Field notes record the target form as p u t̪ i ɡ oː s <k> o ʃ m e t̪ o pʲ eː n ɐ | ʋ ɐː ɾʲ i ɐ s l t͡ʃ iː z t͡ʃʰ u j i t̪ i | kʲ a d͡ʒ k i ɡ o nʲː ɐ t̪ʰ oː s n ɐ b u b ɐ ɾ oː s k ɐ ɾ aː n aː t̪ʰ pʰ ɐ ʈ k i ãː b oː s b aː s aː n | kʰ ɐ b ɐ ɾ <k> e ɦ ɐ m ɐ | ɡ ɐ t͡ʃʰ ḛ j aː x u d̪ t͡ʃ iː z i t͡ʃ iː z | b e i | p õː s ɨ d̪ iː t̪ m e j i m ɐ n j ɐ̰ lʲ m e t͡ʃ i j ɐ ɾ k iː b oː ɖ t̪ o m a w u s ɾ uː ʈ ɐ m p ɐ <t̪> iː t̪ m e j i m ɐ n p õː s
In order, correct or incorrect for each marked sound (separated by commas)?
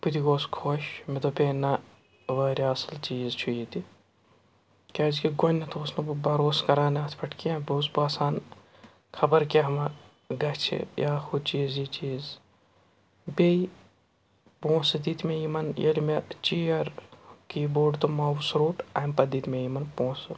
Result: incorrect, correct, incorrect